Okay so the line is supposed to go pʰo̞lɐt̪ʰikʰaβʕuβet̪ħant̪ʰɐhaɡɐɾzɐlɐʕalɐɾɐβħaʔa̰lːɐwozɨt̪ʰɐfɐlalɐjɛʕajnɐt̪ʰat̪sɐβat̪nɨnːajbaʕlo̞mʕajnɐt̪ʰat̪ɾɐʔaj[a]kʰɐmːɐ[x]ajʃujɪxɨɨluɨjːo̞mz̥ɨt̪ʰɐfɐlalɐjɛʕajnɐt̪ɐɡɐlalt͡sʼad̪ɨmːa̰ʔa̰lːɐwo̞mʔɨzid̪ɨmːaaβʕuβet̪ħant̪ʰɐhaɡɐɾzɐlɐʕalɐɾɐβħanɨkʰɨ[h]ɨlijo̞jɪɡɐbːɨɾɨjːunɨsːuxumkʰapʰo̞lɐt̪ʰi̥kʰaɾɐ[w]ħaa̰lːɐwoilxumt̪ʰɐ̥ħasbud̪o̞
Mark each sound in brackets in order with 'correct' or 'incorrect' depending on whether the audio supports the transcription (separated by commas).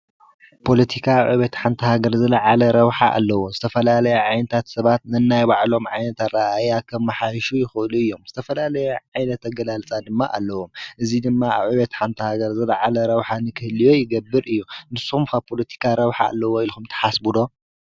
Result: correct, incorrect, correct, incorrect